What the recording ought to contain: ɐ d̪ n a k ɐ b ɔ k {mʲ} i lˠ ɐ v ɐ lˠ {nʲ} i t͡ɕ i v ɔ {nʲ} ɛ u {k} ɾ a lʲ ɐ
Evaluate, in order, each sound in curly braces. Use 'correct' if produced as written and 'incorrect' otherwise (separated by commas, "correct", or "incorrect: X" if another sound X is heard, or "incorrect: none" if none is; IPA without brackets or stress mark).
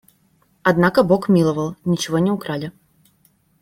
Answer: correct, correct, correct, correct